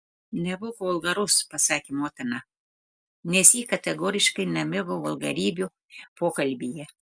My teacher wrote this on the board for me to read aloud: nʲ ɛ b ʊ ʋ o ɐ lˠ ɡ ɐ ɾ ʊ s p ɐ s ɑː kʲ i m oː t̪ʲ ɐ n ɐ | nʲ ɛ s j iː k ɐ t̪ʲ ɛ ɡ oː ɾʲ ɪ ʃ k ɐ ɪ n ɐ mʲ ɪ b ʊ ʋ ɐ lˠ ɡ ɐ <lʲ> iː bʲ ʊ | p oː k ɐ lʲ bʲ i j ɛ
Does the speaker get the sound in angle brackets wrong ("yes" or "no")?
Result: yes